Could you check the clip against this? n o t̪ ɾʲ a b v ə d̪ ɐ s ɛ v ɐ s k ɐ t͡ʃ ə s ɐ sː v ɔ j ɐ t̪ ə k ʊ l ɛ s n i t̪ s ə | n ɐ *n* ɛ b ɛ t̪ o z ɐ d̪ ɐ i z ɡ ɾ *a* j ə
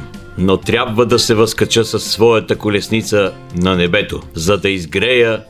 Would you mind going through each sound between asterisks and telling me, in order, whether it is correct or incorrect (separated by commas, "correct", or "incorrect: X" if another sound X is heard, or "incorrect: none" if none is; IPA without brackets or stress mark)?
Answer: correct, incorrect: ɛ